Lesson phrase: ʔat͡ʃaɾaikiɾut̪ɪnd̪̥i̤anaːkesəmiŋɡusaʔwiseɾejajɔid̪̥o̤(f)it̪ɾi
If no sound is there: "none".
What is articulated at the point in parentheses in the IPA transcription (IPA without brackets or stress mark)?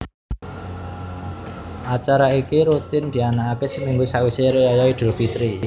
f